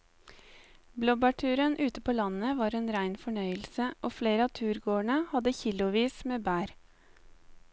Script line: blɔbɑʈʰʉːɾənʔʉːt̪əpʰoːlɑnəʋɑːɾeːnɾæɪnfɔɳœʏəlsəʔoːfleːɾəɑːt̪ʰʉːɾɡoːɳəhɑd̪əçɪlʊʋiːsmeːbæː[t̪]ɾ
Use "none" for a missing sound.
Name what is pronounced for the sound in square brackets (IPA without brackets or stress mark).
none